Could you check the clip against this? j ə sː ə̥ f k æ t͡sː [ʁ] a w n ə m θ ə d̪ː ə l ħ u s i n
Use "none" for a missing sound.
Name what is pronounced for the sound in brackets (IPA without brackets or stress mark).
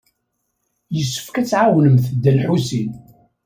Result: ʕ